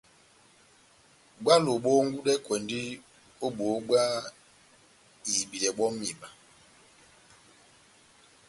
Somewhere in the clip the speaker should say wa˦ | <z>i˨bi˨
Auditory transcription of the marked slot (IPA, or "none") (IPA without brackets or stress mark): z